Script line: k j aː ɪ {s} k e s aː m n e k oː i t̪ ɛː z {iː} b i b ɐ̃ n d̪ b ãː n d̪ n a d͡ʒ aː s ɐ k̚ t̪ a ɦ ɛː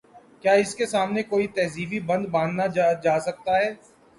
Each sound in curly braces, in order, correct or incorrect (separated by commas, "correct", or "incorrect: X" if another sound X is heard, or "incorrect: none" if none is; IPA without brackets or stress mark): correct, correct